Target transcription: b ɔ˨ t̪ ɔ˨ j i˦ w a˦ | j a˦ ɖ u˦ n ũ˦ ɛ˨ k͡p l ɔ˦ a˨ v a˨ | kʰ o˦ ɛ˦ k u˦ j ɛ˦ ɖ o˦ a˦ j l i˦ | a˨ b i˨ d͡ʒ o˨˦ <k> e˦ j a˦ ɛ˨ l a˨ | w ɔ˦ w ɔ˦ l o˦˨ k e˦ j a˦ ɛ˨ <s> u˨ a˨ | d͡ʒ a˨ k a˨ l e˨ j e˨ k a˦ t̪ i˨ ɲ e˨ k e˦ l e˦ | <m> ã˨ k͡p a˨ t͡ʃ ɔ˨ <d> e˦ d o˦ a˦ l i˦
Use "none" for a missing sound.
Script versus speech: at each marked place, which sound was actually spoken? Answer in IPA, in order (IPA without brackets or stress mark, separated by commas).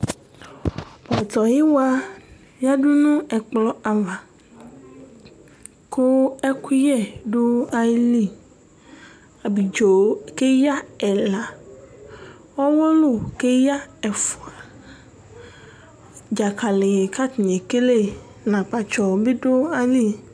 k, f, n, b